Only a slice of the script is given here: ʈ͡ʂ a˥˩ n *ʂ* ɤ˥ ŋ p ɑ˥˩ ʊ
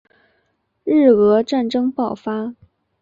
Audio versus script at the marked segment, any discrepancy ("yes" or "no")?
yes